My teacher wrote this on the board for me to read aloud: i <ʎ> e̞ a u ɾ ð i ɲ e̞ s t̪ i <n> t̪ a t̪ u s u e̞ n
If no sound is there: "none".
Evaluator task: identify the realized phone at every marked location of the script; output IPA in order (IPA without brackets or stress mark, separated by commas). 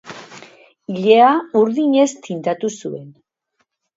ʎ, n